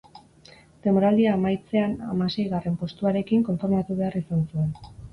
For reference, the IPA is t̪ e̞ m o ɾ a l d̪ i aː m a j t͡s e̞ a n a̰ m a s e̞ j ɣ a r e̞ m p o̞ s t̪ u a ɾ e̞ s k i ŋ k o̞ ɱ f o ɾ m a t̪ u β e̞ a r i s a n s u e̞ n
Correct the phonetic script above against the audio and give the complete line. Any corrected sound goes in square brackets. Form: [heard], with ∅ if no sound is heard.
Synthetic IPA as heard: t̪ e̞ m o ɾ a l d̪ i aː m a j t͡s e̞ a n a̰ m a s e̞ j ɣ a r e̞ m p o̞ s t̪ u a ɾ e̞ [∅] k i ŋ k o̞ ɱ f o ɾ m a t̪ u β e̞ a r i s a n s u e̞ n

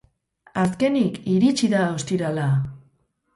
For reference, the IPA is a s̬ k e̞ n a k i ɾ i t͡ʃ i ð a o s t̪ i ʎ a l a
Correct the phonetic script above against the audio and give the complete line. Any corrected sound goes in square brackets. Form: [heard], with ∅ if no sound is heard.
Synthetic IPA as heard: a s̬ k e̞ n [i] k i ɾ i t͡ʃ i ð a o s t̪ i [ɾ] a l a

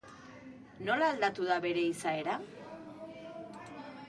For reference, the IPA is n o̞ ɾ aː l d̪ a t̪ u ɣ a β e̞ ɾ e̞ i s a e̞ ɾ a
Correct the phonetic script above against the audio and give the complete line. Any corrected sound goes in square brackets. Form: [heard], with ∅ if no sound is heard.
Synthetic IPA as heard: n o̞ [l] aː l d̪ a t̪ u [ð] a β e̞ ɾ e̞ i s a e̞ ɾ a

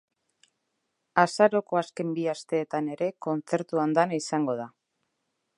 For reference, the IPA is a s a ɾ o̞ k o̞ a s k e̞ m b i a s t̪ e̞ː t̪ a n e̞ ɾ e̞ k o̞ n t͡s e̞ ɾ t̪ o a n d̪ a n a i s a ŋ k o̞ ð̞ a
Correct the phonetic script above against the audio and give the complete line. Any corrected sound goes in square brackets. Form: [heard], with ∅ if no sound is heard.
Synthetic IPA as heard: a s a ɾ o̞ k o̞ a s k e̞ m b i a s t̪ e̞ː t̪ a n e̞ ɾ e̞ k o̞ n t͡s e̞ ɾ t̪ [u] a n d̪ a n a i s a ŋ [ɡ] o̞ ð̞ a

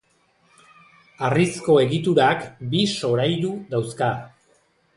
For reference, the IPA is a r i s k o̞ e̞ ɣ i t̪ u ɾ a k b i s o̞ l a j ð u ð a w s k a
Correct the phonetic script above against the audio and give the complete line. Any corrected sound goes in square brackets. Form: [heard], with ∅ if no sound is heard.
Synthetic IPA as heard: a r i s k o̞ e̞ ɣ i t̪ u ɾ a k b i s o̞ [ɾ] a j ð u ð a w s k a

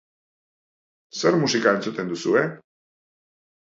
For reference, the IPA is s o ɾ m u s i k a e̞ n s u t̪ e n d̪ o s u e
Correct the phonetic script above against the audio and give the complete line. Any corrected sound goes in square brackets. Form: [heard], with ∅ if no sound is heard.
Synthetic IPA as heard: s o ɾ m u s i k a e̞ n [t͡s] u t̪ e n d̪ [u] s u e

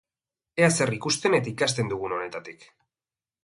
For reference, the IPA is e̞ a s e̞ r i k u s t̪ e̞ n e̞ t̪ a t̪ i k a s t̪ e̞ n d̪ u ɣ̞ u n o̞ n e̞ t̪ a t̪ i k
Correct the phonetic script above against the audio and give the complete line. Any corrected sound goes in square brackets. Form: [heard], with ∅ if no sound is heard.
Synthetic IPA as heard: e̞ a s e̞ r i k u s t̪ e̞ n e̞ t̪ a [∅] i k a s t̪ e̞ n d̪ u ɣ̞ u n o̞ n e̞ t̪ a t̪ i k

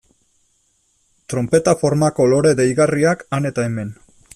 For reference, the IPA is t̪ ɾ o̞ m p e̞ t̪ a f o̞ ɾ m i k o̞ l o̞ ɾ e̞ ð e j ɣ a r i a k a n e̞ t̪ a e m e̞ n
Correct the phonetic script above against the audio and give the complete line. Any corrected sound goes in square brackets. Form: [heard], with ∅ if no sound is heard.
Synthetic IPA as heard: t̪ ɾ o̞ m p e̞ t̪ a f o̞ ɾ m [a] k o̞ l o̞ ɾ e̞ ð e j ɣ a r i a k a n e̞ t̪ a e m e̞ n

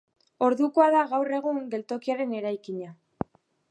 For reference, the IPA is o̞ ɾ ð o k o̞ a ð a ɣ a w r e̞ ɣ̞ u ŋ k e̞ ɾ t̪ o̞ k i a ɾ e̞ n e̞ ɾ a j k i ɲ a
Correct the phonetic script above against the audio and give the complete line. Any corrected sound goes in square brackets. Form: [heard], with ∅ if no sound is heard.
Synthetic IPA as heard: o̞ ɾ ð [u] k o̞ a ð a ɣ a w r e̞ ɣ̞ u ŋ [ɡ] e̞ [l] t̪ o̞ k i a ɾ e̞ n e̞ ɾ a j k i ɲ a

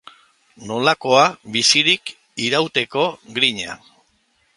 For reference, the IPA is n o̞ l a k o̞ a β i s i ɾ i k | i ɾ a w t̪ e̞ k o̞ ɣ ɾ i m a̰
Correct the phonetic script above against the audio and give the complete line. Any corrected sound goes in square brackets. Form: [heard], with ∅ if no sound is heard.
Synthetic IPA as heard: n o̞ l a k o̞ a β i s i ɾ i k | i ɾ a w t̪ e̞ k o̞ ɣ ɾ i [ɲ] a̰

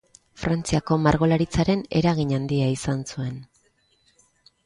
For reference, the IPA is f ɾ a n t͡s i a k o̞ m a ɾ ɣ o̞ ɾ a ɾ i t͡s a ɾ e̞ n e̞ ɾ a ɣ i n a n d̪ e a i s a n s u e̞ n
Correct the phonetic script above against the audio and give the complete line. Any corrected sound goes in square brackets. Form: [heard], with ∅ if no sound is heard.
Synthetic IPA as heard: f ɾ a n t͡s i a k o̞ m a ɾ ɣ o̞ [l] a ɾ i t͡s a ɾ e̞ n e̞ ɾ a ɣ i [ɲ] a n d̪ [i] a i s a n s u e̞ n

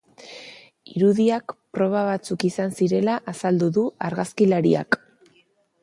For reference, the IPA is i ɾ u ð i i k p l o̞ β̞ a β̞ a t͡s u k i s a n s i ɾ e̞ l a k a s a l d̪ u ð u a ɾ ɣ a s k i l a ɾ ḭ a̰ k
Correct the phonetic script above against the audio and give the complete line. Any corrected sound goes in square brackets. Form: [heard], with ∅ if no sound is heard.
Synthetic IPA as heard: i ɾ u ð i [a] k p [ɾ] o̞ β̞ a β̞ a t͡s u k i s a n s i ɾ e̞ l a [ʔ] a s a l d̪ u ð u a ɾ ɣ a s k i l a ɾ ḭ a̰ k

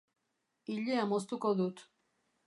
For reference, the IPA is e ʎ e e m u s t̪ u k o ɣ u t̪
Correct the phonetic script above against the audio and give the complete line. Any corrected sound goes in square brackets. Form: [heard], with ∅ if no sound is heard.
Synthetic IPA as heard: [i] ʎ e [a] m [o] s t̪ u k o [ð] u t̪

